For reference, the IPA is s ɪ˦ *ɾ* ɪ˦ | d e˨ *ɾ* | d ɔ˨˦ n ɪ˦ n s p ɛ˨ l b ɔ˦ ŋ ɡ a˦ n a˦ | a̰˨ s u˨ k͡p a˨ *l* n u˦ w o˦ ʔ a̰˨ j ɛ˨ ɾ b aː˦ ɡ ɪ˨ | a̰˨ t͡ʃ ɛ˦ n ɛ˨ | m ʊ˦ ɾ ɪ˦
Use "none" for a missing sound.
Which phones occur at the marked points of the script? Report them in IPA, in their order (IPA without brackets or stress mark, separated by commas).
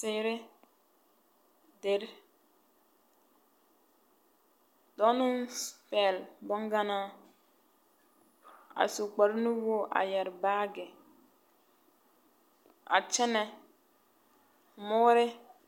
ɾ, ɾ, ɾ